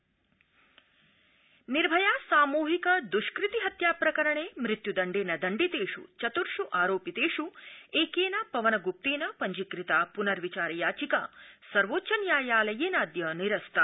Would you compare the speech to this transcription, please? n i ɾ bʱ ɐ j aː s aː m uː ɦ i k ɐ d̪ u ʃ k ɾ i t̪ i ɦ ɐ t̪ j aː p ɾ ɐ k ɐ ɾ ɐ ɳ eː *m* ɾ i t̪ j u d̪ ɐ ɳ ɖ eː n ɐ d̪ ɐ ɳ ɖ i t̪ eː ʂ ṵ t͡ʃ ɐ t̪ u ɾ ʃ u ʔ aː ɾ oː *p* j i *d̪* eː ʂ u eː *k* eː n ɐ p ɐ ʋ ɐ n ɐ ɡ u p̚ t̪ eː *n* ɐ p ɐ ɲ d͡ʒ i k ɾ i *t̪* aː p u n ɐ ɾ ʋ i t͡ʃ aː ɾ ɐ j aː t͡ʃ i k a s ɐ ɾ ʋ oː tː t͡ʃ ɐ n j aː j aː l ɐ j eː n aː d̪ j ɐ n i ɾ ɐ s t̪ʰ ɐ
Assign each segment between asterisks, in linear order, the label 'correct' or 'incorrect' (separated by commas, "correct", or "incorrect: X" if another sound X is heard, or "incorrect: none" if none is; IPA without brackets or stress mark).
correct, correct, incorrect: t̪, correct, correct, correct